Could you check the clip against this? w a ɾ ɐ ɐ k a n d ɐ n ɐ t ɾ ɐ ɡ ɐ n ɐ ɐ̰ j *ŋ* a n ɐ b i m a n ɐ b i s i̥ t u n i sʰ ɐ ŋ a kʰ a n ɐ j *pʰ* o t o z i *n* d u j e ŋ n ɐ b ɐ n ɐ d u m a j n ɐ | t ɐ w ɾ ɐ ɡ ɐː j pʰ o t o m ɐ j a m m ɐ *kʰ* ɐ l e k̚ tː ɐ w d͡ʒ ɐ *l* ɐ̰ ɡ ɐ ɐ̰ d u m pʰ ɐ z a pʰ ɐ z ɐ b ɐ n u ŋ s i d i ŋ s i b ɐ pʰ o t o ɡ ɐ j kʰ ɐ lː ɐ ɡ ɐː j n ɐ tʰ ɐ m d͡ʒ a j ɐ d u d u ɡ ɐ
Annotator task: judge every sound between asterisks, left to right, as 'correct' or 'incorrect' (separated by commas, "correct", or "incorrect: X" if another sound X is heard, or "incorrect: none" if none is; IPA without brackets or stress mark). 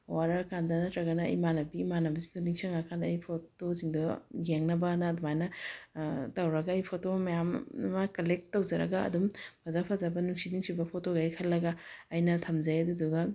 incorrect: m, correct, incorrect: ŋ, incorrect: k, incorrect: ɾ